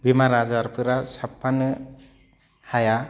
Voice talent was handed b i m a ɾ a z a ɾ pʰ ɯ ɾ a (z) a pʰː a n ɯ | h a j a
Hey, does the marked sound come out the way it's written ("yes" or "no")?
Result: no